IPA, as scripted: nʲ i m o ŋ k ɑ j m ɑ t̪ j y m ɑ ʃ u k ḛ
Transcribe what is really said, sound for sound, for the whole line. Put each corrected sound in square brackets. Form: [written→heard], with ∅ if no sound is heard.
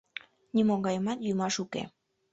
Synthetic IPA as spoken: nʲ i m o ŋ [k→ɡ] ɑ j m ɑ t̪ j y m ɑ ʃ u k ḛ